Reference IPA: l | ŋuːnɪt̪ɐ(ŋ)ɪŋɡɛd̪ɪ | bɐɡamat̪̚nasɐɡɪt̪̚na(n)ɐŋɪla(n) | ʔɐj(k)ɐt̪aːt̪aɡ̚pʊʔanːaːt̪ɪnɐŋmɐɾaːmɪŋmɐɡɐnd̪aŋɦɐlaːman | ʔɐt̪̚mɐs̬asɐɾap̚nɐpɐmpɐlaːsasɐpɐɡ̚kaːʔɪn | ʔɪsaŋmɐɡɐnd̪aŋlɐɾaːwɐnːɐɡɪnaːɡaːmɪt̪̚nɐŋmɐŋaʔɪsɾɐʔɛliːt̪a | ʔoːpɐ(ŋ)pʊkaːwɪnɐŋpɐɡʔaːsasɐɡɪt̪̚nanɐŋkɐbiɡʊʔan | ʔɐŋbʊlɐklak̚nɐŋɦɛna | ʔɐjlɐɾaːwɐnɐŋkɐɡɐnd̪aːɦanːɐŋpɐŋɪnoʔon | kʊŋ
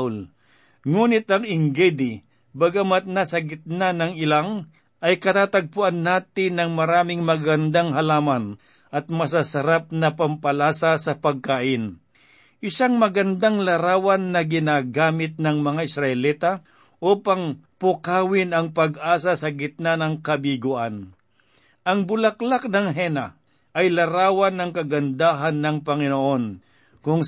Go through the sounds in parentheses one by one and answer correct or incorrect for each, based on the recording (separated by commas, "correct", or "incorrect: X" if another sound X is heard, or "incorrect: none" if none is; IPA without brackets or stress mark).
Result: correct, correct, incorrect: ŋ, correct, correct